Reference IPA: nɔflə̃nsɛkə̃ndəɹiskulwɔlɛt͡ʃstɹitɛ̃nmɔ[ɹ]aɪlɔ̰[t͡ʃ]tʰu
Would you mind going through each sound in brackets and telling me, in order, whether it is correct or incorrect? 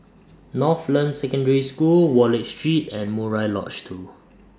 correct, correct

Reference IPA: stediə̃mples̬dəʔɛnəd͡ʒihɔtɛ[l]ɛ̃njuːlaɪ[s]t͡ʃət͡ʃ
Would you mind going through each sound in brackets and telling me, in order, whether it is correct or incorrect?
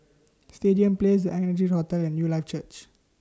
correct, incorrect

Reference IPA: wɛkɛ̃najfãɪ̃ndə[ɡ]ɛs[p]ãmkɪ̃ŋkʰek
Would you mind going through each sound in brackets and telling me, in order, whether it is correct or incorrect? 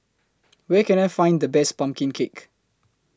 incorrect, correct

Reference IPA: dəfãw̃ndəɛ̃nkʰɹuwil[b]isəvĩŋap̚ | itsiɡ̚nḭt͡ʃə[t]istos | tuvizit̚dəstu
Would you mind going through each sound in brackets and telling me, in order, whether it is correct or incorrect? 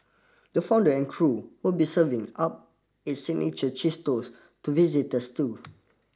correct, incorrect

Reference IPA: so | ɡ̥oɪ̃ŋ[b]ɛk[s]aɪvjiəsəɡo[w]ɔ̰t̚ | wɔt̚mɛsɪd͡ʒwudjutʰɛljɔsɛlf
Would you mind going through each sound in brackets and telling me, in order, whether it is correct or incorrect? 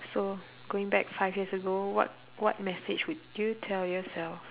correct, incorrect, correct

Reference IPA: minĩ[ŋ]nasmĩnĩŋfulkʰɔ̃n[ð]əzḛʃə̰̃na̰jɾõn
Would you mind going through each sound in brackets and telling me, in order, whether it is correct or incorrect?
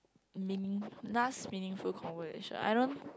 correct, incorrect

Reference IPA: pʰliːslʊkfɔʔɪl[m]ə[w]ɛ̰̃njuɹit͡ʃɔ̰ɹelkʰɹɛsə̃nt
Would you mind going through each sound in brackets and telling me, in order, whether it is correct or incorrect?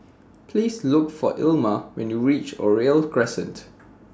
correct, correct

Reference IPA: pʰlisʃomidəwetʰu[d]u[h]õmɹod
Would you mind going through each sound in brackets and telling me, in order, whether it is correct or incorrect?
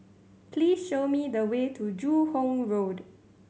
incorrect, correct

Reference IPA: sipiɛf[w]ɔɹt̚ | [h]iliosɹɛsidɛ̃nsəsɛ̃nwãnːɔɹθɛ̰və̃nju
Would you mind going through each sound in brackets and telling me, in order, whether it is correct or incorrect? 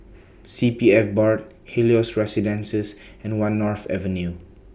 incorrect, correct

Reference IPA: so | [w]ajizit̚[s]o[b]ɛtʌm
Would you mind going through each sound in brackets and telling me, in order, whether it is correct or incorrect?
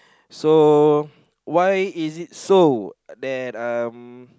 correct, correct, incorrect

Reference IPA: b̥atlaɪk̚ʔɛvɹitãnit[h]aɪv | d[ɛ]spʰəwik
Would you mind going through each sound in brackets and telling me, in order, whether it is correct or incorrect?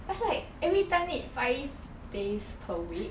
incorrect, incorrect

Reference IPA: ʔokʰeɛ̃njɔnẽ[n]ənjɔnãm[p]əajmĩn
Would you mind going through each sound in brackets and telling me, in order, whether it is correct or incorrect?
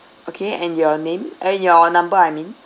incorrect, incorrect

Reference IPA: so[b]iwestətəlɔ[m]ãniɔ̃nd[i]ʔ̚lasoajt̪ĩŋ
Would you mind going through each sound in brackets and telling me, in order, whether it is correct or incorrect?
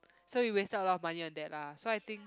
incorrect, correct, incorrect

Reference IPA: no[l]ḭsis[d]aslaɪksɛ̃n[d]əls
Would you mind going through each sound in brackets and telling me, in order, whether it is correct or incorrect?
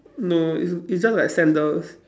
incorrect, incorrect, correct

